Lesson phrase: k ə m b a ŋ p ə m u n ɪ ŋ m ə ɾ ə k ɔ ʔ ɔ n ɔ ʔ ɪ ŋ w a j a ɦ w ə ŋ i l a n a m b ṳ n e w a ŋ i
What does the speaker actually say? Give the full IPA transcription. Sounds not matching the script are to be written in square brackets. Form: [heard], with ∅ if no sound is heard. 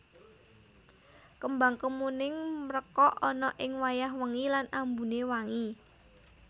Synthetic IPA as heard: k ə m b a ŋ [k] ə m u n ɪ ŋ m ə ɾ ə k ɔ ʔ ɔ n ɔ ʔ ɪ ŋ w a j a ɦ w ə ŋ i l a n a m b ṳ n e w a ŋ i